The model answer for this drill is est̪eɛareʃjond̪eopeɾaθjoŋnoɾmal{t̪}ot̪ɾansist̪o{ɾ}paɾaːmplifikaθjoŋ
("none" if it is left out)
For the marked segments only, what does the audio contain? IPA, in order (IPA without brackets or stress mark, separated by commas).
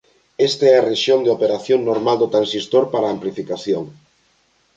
d̪, ɾ